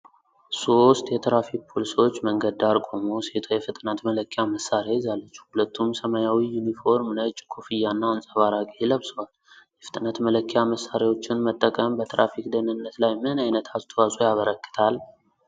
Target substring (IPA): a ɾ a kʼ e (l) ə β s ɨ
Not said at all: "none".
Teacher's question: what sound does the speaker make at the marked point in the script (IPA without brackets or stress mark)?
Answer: l